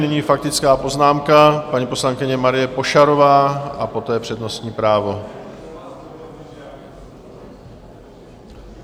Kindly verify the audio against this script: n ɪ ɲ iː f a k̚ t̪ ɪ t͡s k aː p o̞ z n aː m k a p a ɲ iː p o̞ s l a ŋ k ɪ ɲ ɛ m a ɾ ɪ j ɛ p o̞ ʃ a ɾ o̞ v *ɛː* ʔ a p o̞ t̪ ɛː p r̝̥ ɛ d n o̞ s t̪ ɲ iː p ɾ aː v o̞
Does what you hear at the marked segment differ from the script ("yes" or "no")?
yes